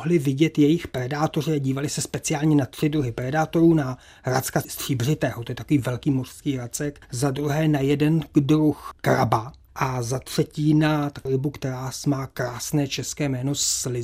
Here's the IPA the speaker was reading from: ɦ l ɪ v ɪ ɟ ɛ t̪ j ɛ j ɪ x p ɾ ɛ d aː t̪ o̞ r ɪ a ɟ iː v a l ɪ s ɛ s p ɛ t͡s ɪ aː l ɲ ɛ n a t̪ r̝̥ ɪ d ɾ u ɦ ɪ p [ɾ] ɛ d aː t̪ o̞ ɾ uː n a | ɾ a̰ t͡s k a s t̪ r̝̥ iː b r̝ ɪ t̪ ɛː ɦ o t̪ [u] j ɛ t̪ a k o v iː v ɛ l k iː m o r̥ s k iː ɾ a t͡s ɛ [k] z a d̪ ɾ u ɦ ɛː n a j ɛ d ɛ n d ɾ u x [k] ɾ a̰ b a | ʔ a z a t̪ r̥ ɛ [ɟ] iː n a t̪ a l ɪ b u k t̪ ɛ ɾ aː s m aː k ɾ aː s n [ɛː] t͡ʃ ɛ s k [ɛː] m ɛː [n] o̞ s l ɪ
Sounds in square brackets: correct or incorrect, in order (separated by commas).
correct, incorrect, correct, correct, incorrect, correct, correct, correct